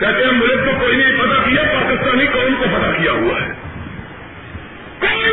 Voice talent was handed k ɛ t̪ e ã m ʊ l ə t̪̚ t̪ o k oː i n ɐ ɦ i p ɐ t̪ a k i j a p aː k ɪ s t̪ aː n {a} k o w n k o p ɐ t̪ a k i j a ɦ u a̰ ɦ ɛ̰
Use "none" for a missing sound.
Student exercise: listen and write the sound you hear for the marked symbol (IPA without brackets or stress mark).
i